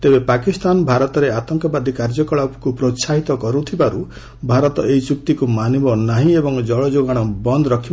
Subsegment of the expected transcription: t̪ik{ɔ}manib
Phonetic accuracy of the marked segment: incorrect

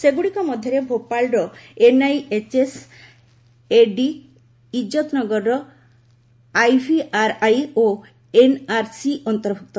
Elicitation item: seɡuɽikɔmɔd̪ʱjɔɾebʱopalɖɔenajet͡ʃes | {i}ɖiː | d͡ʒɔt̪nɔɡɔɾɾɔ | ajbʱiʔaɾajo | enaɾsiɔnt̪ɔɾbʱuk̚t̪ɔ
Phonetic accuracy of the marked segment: incorrect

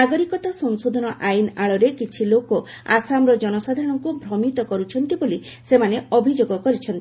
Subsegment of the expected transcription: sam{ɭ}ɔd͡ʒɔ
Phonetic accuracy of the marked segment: incorrect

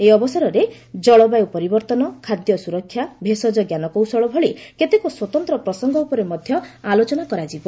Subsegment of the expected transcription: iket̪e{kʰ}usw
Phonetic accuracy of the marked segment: incorrect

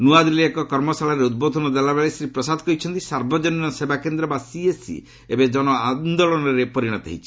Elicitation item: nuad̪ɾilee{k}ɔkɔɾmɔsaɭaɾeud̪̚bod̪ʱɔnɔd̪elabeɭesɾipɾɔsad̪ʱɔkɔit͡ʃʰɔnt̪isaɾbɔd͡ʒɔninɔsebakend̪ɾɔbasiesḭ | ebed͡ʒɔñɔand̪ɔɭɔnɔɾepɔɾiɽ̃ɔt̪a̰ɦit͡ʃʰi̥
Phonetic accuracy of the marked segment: correct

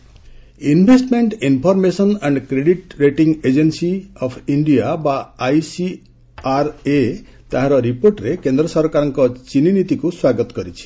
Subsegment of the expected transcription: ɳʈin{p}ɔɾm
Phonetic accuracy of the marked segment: incorrect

